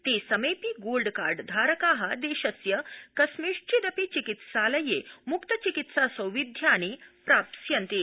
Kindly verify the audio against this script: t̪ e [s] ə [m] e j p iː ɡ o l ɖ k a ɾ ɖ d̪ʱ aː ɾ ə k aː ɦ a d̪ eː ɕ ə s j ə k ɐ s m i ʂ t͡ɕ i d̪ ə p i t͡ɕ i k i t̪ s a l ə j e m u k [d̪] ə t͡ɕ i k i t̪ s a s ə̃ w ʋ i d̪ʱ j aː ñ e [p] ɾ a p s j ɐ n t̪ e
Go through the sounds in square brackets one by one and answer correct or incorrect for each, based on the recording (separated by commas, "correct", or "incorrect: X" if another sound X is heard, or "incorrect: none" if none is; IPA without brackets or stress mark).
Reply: correct, correct, incorrect: t̪, correct